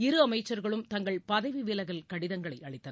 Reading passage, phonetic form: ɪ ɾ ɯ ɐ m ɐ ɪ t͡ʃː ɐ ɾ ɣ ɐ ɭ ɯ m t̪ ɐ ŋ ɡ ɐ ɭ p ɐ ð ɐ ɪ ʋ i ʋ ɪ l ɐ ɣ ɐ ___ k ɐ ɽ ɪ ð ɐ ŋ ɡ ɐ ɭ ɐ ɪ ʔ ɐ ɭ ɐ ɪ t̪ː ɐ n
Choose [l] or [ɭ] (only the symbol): l